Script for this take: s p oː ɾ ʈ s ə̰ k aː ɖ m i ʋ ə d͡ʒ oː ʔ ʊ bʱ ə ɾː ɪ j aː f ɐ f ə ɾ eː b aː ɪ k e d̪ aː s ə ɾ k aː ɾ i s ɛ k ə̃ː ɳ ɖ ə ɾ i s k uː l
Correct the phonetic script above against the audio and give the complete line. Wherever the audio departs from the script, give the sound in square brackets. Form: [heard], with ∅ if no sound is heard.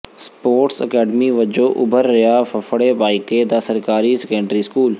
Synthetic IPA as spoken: s p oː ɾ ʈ s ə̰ k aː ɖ m i ʋ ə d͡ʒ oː ʔ ʊ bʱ ə ɾː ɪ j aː f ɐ f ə [ɽ] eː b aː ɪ k e d̪ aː s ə ɾ k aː ɾ i s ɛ k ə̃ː ɳ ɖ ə ɾ i s k uː l